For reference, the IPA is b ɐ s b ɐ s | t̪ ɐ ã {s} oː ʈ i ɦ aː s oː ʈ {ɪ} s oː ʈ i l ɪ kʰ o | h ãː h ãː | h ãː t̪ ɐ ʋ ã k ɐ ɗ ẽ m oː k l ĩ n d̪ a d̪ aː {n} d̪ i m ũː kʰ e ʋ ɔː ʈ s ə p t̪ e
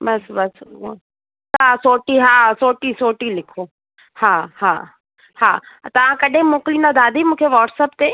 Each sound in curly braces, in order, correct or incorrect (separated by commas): correct, incorrect, incorrect